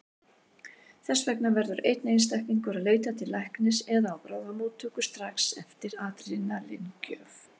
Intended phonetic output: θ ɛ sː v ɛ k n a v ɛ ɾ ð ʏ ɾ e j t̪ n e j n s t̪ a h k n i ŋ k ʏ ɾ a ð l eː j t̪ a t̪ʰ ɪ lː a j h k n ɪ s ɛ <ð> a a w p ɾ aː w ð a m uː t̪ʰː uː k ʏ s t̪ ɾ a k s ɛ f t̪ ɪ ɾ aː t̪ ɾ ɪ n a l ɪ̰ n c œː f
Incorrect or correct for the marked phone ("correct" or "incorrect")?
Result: correct